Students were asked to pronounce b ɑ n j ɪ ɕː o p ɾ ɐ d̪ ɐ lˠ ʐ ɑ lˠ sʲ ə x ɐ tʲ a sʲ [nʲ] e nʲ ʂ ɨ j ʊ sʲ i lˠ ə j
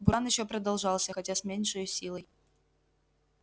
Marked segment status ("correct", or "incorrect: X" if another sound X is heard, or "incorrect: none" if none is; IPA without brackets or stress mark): incorrect: mʲ